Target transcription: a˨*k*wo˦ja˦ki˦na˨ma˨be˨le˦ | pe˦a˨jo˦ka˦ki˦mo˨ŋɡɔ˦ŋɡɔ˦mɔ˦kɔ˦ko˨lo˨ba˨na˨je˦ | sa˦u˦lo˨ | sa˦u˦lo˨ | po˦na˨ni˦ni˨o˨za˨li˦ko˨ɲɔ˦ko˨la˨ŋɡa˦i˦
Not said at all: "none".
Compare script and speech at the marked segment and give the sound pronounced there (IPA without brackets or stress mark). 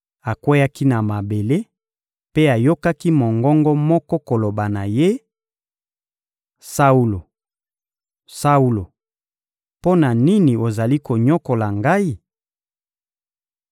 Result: k